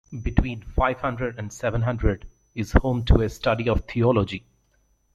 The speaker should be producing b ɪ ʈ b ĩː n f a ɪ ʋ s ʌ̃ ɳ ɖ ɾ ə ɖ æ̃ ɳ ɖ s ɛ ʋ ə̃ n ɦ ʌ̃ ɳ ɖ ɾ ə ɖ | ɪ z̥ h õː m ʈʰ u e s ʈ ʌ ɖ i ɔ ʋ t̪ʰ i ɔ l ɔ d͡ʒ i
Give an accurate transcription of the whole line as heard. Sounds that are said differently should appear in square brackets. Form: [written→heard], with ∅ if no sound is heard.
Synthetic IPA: b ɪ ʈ [b→w] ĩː n f a ɪ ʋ [s→h] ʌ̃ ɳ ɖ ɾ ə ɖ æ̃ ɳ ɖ s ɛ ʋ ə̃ n ɦ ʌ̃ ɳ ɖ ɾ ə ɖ | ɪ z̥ h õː m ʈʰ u e s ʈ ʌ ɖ i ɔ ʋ t̪ʰ i ɔ l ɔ d͡ʒ i